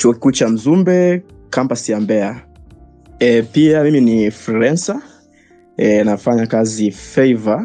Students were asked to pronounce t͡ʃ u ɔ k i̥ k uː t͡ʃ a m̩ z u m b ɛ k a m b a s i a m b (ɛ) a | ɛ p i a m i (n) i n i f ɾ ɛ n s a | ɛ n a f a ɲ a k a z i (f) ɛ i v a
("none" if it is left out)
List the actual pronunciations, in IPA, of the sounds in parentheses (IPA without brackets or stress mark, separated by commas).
ɛ, m, f